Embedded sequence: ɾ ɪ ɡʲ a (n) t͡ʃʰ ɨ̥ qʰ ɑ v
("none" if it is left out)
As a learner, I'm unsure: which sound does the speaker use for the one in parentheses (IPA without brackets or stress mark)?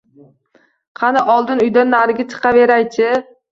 none